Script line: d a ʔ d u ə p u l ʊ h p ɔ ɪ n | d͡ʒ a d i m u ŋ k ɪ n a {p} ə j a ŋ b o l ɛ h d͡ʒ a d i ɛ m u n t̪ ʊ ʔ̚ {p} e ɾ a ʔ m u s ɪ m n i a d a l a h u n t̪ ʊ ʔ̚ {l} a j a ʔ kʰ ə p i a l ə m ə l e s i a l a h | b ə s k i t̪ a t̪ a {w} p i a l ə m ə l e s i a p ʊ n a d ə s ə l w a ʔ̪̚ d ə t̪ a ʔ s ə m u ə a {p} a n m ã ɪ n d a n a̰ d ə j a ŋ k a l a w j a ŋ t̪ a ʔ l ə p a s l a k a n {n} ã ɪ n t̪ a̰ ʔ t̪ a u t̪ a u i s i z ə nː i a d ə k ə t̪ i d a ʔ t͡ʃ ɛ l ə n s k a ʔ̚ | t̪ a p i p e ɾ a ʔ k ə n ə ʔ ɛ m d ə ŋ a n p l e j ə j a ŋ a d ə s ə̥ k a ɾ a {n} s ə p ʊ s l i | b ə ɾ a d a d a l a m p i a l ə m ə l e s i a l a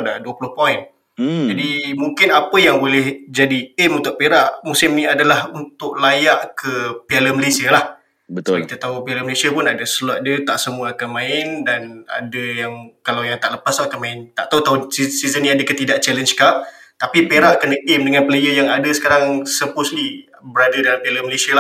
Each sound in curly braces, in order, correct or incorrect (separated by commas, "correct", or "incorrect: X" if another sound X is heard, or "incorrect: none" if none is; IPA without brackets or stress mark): correct, correct, correct, incorrect: u, incorrect: k, incorrect: m, incorrect: ŋ